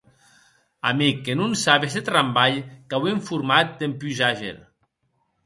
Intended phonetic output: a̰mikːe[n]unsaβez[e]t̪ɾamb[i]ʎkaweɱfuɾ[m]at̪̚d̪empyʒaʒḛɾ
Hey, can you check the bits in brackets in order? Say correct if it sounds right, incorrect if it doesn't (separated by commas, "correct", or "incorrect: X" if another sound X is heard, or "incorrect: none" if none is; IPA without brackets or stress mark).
correct, correct, incorrect: a, correct